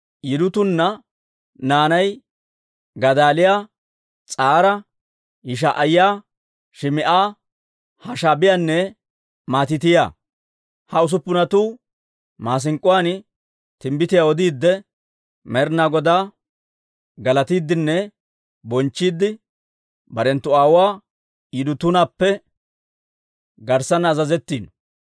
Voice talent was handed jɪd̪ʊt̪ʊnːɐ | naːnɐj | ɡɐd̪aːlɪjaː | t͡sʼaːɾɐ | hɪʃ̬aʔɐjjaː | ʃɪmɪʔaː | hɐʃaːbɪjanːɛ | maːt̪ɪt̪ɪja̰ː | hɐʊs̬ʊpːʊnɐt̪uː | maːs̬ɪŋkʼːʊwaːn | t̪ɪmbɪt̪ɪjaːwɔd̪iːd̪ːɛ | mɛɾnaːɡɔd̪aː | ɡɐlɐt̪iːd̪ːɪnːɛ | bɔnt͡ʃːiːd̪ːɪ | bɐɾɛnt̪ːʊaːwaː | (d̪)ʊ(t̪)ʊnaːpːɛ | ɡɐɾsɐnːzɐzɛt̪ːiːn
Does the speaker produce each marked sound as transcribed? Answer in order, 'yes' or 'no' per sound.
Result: yes, yes

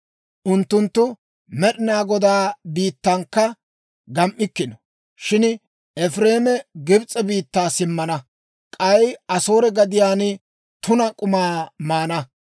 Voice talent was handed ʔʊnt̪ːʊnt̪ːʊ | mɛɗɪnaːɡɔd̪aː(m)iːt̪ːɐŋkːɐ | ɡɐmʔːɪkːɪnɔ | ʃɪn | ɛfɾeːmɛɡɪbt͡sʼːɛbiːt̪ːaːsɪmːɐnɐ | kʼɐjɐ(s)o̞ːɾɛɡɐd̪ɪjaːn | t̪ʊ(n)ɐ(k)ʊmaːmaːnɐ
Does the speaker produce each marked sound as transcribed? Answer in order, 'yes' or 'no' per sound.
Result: no, yes, yes, no

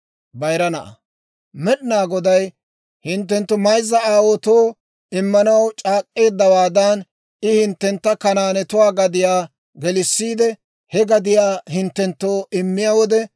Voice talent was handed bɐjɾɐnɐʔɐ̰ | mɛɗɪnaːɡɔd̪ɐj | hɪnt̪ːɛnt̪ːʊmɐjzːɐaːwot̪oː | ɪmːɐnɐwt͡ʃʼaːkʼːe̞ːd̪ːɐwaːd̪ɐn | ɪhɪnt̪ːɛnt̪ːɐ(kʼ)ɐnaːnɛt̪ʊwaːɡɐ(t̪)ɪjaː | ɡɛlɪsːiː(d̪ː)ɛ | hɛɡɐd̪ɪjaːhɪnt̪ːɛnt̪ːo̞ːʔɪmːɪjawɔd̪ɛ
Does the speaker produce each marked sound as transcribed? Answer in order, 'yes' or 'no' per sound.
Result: no, no, no

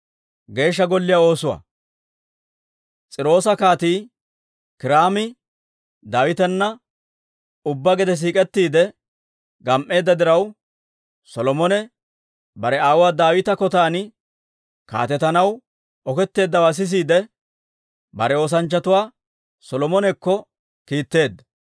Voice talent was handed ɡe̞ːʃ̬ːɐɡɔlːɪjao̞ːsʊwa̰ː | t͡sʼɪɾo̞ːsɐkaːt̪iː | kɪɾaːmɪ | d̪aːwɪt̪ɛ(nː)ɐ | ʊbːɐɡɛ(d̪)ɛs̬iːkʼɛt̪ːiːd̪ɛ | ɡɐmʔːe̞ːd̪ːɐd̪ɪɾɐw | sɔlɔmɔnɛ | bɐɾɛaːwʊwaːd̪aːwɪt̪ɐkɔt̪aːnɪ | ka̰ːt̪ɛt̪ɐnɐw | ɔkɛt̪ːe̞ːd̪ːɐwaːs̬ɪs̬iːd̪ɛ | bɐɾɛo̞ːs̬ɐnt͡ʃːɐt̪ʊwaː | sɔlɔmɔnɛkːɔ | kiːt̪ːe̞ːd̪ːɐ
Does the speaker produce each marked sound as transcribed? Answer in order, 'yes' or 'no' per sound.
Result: yes, yes

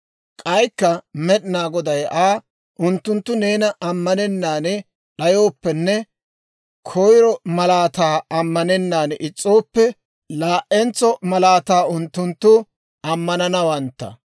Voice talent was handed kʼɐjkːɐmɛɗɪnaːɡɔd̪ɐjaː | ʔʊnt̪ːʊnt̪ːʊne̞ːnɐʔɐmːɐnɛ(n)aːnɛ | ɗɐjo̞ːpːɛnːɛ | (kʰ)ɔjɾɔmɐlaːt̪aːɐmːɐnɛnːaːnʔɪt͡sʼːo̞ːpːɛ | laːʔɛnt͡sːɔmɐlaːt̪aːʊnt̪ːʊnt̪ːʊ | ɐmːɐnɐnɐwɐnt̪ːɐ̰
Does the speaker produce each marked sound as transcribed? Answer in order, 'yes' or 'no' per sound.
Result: no, yes

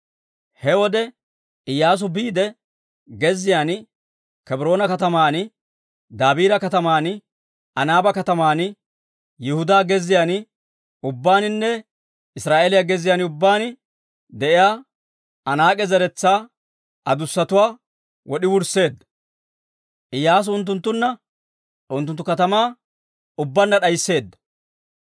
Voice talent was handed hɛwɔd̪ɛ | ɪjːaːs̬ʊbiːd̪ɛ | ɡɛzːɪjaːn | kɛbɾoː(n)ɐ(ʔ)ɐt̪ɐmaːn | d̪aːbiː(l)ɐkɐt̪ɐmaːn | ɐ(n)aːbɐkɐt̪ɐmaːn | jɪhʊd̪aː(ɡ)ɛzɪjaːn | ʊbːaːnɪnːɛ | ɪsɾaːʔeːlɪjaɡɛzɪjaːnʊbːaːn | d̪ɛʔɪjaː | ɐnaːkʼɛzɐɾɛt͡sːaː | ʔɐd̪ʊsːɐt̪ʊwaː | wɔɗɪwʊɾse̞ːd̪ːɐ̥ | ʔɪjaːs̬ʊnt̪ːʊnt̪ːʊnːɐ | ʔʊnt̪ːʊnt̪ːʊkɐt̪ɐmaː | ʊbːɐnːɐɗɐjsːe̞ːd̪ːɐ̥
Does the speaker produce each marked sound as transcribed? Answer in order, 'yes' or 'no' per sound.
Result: yes, no, no, yes, yes

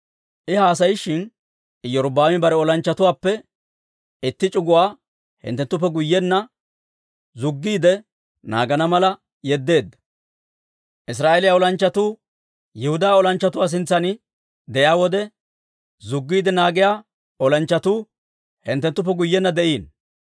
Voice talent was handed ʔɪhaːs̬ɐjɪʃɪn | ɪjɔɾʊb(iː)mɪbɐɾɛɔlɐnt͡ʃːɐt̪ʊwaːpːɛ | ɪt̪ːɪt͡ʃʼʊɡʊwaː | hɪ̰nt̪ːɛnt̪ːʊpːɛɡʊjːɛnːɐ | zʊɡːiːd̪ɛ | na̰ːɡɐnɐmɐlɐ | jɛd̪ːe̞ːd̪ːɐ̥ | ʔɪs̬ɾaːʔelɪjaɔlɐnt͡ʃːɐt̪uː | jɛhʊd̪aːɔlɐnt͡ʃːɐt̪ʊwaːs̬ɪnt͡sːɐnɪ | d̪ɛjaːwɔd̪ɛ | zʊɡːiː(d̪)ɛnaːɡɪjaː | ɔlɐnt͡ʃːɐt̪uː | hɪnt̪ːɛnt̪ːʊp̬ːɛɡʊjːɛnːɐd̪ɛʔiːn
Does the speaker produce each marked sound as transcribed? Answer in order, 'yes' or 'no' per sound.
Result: no, yes

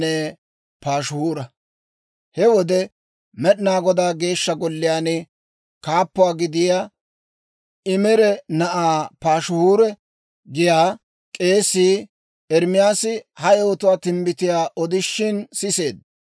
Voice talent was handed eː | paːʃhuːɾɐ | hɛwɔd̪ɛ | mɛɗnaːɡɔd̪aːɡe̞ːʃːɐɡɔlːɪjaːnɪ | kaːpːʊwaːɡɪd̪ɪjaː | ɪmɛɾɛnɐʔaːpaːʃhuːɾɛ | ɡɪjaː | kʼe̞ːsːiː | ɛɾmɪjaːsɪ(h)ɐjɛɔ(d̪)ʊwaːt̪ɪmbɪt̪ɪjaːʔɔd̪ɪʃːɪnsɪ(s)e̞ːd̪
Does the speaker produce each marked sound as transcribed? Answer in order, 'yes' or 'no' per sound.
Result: yes, no, yes

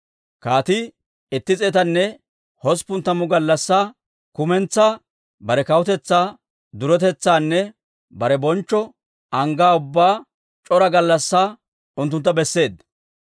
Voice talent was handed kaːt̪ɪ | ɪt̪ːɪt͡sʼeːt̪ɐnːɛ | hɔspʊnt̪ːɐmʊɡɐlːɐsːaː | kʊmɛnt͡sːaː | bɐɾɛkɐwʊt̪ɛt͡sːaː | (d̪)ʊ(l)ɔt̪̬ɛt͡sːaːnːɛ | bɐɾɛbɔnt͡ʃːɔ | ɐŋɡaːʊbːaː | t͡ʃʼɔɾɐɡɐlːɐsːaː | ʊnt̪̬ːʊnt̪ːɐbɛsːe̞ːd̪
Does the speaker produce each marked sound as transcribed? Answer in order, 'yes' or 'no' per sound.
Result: yes, no

